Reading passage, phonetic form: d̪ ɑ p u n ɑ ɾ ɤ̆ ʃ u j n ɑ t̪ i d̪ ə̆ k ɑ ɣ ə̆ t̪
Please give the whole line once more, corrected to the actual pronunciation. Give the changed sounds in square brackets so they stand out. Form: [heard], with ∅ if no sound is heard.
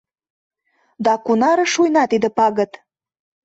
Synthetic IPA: d̪ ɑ [k] u n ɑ ɾ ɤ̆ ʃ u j n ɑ t̪ i d̪ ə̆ [p] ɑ ɣ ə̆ t̪